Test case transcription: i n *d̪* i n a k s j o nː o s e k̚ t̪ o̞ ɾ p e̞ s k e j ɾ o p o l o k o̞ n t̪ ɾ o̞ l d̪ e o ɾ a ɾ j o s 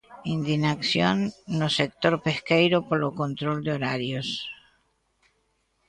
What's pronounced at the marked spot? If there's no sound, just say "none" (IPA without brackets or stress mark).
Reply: d̪